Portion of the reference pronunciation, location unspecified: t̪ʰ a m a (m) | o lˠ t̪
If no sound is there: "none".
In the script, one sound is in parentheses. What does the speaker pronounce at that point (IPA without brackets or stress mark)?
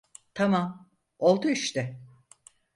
m